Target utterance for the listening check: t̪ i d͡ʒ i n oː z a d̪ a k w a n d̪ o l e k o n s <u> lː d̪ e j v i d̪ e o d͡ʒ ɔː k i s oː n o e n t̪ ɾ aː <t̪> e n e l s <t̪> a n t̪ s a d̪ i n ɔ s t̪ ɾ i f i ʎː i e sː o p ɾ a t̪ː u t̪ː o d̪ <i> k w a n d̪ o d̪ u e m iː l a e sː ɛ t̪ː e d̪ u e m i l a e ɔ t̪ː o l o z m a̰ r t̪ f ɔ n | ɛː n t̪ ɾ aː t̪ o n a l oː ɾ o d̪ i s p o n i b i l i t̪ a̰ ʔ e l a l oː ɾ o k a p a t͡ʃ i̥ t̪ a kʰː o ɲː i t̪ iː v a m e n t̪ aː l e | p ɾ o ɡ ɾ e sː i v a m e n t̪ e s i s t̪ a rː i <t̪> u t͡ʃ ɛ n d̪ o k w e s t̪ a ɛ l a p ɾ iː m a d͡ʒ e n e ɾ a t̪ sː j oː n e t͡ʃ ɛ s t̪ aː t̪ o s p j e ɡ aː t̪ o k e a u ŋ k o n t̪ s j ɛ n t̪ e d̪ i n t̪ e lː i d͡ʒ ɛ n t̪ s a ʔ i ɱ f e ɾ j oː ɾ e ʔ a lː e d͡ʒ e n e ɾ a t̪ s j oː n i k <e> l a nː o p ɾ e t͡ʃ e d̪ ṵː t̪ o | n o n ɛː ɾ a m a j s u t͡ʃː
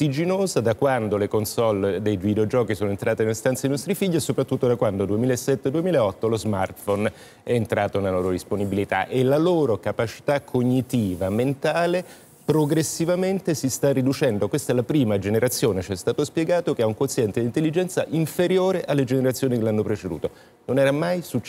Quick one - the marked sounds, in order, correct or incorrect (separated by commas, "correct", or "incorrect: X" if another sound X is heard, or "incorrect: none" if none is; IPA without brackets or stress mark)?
incorrect: ɔ, correct, correct, incorrect: a, incorrect: d̪, correct